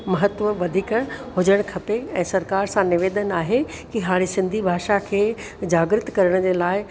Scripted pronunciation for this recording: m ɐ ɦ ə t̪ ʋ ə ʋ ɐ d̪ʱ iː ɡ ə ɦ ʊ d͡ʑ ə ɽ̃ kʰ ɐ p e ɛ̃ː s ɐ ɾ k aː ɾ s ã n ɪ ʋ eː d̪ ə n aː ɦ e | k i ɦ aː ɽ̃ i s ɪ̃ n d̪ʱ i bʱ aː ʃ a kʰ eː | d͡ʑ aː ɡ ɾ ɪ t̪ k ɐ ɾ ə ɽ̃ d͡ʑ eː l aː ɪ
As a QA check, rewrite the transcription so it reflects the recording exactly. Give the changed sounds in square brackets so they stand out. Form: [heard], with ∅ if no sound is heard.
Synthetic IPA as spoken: m ɐ ɦ ə t̪ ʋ ə ʋ ɐ d̪ʱ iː [k] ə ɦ ʊ d͡ʑ ə ɽ̃ kʰ ɐ p e ɛ̃ː s ɐ ɾ k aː ɾ s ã n ɪ ʋ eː d̪ ə n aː ɦ e | k i ɦ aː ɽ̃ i s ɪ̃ n d̪ʱ i bʱ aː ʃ a kʰ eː | d͡ʑ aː ɡ ɾ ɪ t̪ k ɐ ɾ ə ɽ̃ d͡ʑ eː l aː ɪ